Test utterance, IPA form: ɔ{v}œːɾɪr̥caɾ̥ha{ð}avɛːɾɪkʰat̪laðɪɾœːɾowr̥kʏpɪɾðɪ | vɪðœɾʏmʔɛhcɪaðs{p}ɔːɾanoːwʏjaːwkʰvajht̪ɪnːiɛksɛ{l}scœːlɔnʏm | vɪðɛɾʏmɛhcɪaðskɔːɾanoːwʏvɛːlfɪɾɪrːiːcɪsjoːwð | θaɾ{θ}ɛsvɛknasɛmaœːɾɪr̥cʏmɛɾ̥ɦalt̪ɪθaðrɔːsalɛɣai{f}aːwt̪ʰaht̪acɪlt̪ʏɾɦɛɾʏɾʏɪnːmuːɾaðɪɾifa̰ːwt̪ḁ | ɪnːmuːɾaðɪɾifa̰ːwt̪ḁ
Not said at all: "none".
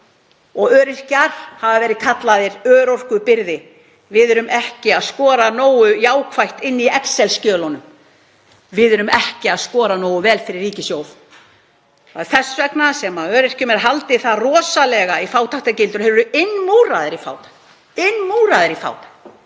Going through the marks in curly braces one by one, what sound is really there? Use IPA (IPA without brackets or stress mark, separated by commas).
ɣ, v, k, l, θ, f